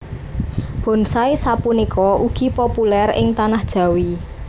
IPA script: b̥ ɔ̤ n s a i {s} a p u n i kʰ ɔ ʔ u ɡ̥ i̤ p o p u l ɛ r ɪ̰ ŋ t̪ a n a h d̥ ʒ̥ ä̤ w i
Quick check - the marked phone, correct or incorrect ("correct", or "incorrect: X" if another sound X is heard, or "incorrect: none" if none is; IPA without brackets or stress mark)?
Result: correct